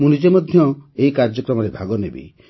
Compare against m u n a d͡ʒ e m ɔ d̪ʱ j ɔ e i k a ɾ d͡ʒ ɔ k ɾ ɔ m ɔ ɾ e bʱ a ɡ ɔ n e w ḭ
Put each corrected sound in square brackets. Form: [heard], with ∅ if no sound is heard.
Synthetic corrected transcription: m u n [i] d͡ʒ e m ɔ d̪ʱ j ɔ e i k a ɾ d͡ʒ ɔ k ɾ ɔ m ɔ ɾ e bʱ a ɡ ɔ n e [b] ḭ